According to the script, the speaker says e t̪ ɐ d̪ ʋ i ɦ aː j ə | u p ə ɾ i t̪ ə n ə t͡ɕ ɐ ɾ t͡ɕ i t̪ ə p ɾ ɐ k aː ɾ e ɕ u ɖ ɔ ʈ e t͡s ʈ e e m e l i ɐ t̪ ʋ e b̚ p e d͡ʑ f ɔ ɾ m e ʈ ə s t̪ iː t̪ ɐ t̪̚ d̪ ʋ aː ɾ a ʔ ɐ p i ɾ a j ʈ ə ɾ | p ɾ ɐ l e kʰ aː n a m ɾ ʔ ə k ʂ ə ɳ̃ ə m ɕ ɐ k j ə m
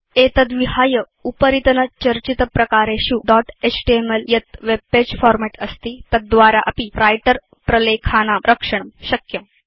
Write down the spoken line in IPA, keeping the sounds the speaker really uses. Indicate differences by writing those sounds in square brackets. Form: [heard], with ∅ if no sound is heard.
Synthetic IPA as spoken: e t̪ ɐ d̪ ʋ i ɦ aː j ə | u p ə ɾ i t̪ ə n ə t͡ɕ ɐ ɾ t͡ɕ i t̪ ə p ɾ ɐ k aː ɾ e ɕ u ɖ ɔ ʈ e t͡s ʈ [i] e m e l [j] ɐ t̪ ʋ e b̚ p e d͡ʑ f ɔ ɾ m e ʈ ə s t̪ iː t̪ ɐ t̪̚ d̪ ʋ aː ɾ a ʔ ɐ p i ɾ a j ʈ ə ɾ | p ɾ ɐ l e kʰ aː n a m ɾ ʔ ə k ʂ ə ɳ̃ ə m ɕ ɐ k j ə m